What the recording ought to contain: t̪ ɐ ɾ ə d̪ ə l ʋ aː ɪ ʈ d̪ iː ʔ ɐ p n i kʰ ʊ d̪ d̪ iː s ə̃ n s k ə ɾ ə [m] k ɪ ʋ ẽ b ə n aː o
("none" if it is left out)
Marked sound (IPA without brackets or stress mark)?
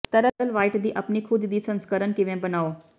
n